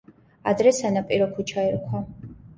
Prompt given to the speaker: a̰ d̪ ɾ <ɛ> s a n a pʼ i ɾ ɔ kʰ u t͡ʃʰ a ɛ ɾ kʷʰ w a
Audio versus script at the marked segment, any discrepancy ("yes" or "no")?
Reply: no